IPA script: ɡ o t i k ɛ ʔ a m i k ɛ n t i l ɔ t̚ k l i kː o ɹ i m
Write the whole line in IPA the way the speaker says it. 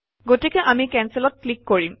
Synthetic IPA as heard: ɡ o t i k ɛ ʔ a m i k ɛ n s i l ɔ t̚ k l i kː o ɹ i m

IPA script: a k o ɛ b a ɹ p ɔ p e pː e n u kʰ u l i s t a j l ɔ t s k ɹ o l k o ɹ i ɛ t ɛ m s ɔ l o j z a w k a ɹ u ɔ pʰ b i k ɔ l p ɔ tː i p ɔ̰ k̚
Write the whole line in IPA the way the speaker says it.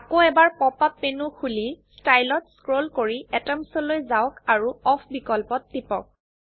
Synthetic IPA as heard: a k o ɛ b a ɹ p ɔ p a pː e n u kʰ u l i s t a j l ɔ t s k ɹ o l k o ɹ i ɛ t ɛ m s ɔ l o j z a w k a ɹ u ɔ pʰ b i k ɔ l p ɔ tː i p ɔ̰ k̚

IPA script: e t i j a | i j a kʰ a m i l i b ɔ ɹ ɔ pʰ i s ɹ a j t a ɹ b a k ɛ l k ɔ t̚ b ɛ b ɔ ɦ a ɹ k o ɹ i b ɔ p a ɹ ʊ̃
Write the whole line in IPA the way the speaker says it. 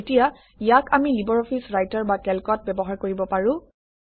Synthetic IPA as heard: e t i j a | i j a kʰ a m i l i b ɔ ɹ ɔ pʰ i s ɹ a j t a ɹ b a k ɛ l k ɔ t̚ b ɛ b ɔ ɦ a ɹ k o ɹ i b ɔ p a ɹ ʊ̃

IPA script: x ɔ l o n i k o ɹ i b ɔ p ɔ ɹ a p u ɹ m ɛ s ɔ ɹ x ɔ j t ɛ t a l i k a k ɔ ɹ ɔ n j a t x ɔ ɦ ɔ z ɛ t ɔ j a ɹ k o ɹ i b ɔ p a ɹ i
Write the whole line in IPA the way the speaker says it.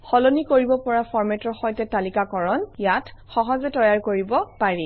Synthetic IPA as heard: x ɔ l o n i k o ɹ i b ɔ p ɔ ɹ a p ɔ ɹ m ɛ t ɔ ɹ x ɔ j t ɛ t a l i k a k ɔ ɹ ɔ n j a t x ɔ ɦ ɔ z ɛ t ɔ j a ɹ k o ɹ i b ɔ p a ɹ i

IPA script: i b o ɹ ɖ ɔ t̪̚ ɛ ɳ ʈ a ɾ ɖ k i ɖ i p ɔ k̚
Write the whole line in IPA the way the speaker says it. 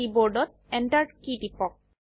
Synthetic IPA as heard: i b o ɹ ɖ ɔ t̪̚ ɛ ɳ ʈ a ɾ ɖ k i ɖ i p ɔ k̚

